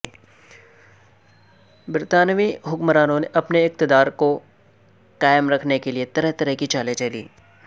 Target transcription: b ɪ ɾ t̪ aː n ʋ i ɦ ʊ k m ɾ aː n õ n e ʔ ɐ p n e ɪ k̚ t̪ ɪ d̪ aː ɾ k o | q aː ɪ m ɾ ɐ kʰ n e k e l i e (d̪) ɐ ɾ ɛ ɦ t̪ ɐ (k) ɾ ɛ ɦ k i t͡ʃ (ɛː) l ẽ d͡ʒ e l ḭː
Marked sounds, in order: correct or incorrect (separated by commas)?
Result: incorrect, incorrect, incorrect